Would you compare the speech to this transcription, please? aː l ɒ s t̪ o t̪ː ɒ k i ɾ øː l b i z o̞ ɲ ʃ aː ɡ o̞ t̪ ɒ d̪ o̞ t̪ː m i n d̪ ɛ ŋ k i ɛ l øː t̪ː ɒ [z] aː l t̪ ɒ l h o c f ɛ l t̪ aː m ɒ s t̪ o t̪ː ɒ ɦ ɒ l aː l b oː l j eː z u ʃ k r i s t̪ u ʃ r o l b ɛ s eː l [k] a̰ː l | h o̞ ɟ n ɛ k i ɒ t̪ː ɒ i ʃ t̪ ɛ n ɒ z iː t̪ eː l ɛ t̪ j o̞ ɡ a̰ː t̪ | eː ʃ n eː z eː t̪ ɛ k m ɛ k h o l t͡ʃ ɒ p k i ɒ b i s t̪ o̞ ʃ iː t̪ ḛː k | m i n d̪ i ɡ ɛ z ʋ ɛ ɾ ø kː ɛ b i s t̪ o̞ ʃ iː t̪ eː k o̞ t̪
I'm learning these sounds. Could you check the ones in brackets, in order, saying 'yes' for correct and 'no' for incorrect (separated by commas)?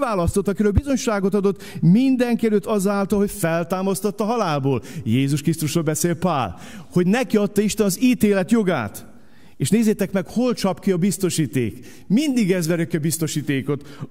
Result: yes, no